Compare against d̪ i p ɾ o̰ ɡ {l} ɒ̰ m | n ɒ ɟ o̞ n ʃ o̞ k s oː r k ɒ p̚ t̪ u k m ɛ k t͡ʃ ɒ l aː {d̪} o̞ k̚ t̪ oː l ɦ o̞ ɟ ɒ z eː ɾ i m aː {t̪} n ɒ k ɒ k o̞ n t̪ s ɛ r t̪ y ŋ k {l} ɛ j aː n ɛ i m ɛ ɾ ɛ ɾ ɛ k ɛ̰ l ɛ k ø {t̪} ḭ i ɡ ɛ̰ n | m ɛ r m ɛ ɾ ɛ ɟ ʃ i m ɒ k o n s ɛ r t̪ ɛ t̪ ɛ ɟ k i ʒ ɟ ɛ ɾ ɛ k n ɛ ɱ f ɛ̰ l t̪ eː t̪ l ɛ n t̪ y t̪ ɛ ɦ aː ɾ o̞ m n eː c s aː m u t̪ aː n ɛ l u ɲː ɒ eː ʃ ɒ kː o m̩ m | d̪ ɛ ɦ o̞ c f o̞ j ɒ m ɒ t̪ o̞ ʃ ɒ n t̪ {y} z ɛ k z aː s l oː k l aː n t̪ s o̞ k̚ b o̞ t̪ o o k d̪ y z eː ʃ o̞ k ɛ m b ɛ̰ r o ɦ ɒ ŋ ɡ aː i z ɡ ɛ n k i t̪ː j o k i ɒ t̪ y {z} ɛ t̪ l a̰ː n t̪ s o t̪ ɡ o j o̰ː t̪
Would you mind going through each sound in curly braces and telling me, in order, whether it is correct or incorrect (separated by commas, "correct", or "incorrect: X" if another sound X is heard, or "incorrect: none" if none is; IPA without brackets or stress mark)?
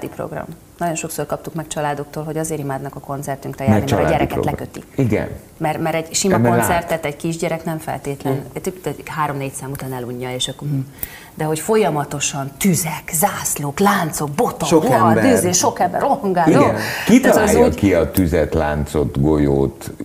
incorrect: r, correct, incorrect: d̪, incorrect: r, correct, correct, correct